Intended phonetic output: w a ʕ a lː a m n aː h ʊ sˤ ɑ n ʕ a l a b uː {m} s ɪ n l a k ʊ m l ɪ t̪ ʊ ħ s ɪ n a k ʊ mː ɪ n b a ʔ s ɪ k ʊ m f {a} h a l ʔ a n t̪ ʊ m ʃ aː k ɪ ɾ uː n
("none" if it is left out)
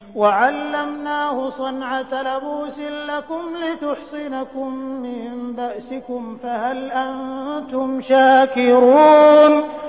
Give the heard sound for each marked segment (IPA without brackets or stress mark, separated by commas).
none, a